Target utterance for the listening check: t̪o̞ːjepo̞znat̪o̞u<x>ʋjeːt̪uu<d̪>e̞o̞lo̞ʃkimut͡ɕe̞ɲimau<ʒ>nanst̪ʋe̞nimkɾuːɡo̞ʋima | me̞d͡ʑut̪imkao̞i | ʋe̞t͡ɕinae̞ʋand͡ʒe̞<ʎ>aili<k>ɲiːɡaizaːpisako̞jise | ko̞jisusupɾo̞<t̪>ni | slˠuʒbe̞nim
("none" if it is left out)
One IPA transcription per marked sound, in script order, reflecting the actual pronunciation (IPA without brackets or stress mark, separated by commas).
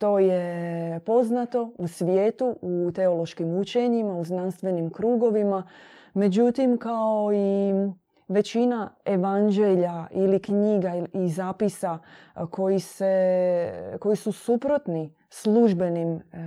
s, t̪, z, ʎ, k, t̪